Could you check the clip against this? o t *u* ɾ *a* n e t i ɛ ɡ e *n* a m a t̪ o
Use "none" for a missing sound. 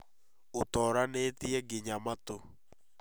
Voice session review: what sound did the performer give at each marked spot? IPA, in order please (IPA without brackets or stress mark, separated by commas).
ɔ, a, ɲ